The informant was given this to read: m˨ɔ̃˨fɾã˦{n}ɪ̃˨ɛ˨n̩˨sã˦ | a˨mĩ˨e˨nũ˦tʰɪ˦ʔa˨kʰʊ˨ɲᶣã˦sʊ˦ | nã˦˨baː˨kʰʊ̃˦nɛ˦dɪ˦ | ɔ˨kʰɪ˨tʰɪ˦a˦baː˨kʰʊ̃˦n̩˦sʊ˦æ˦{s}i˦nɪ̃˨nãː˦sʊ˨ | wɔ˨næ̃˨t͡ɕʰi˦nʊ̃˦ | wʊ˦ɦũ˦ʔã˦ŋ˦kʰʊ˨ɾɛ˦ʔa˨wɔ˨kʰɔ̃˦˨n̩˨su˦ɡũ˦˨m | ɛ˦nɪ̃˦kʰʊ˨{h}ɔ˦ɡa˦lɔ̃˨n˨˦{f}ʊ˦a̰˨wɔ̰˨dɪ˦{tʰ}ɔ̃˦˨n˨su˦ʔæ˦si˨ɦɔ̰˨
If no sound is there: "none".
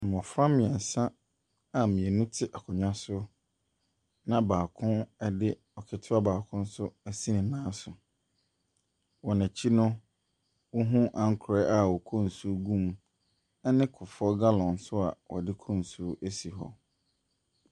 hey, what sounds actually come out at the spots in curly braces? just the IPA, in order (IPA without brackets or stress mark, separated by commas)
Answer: m, s, f, s, kʰ